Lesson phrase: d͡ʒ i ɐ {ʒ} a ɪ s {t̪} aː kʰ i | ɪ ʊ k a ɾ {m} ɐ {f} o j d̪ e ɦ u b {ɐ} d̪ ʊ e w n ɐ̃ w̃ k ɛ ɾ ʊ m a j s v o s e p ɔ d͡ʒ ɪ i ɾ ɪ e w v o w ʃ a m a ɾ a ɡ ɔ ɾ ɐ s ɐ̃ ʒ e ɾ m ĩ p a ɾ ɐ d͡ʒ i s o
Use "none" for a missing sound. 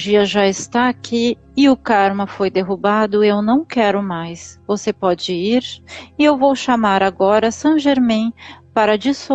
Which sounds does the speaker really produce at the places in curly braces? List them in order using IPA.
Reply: ʒ, t̪, m, f, a

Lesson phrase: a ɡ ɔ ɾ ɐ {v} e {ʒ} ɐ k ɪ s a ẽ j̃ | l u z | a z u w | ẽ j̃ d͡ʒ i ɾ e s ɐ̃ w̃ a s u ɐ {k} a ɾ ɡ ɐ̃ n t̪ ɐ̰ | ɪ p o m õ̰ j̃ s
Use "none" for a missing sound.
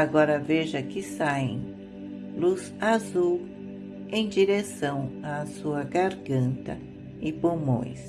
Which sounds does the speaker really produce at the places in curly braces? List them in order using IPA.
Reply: v, ʒ, ɡ

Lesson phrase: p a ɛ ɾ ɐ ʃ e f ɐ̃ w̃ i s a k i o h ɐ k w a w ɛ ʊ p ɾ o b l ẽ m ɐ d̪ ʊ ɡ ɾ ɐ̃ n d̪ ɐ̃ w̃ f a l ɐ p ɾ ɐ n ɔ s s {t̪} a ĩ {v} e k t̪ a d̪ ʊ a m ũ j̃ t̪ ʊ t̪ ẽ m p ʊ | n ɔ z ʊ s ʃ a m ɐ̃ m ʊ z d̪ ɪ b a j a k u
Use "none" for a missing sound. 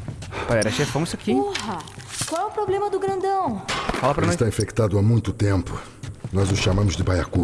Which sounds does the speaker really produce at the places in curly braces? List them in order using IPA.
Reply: t̪, f

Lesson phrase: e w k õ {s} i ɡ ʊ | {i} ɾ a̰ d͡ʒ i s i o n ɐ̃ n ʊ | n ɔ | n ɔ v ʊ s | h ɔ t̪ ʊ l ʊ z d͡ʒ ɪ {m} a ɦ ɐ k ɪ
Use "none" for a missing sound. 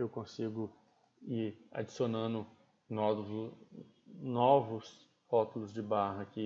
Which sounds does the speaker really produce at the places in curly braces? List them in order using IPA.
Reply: s, i, b

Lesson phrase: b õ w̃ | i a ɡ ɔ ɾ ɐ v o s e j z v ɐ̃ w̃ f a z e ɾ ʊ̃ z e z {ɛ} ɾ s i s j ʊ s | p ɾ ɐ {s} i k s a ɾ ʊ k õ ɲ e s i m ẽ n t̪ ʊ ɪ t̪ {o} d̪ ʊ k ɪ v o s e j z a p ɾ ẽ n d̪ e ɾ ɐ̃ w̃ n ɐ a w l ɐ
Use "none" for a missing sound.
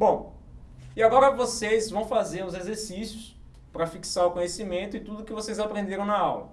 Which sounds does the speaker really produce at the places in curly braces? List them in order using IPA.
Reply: e, f, u

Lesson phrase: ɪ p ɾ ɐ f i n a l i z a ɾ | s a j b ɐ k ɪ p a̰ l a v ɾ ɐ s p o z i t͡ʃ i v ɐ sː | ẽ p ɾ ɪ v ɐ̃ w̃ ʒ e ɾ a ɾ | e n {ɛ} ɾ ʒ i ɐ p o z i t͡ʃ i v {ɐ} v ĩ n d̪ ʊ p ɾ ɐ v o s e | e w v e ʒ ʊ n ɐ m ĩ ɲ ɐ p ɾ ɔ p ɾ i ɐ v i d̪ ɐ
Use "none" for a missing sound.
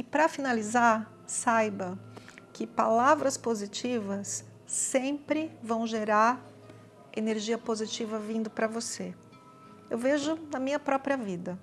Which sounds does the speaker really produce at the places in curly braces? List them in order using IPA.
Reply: e, ɐ

